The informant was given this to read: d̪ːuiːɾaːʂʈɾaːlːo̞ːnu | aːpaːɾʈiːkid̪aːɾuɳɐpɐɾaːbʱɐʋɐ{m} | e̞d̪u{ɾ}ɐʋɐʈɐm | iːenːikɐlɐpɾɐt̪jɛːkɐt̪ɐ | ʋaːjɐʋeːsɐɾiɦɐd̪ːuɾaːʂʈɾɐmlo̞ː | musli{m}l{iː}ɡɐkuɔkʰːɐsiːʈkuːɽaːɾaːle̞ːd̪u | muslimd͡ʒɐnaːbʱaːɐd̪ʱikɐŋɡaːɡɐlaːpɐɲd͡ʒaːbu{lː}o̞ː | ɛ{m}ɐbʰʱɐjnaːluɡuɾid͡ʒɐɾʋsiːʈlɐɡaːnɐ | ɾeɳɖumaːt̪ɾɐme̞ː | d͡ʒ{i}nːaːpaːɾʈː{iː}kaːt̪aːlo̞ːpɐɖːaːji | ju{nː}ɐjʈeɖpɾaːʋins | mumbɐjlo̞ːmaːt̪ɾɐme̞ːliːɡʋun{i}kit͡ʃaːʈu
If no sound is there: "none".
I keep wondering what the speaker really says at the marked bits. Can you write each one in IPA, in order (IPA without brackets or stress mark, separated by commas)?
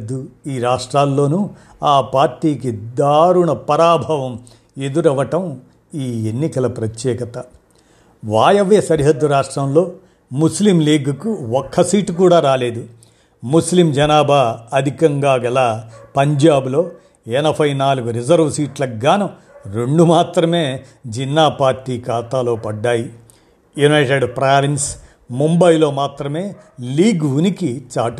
m, ɾ, m, iː, l, n, i, iː, n, i